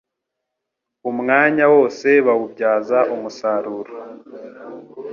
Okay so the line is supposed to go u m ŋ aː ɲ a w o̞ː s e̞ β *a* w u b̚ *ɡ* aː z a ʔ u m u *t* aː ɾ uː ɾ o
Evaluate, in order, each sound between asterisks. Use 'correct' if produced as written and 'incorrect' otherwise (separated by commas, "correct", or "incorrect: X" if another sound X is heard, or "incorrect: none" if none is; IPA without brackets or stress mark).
correct, incorrect: ɟ, incorrect: s